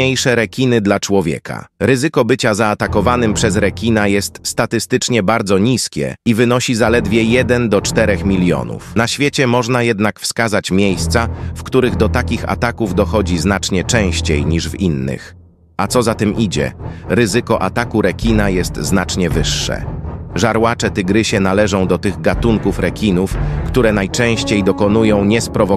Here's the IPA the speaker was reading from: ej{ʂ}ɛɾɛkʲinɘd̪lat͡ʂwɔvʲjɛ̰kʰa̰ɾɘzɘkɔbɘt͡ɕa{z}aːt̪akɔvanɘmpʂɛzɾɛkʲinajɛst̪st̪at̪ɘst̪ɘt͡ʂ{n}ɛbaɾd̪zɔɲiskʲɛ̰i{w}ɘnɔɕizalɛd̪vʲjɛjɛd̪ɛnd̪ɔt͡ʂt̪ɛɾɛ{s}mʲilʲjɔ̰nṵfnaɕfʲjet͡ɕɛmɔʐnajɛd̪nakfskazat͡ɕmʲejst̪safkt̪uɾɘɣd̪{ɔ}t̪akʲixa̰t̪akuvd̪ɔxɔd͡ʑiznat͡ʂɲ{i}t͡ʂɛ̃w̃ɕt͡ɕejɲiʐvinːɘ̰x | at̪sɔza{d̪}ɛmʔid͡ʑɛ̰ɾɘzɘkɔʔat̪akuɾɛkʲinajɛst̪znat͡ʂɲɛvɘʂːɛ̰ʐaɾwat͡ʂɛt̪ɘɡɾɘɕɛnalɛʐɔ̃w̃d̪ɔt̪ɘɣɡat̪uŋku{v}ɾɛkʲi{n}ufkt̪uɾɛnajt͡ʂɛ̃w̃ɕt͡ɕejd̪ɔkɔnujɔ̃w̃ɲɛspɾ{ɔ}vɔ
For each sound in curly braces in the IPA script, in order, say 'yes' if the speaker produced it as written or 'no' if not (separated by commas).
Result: yes, yes, no, no, no, yes, no, no, no, yes, yes